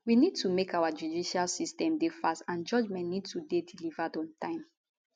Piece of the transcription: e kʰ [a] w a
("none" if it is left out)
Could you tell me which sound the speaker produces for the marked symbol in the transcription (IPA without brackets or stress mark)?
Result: a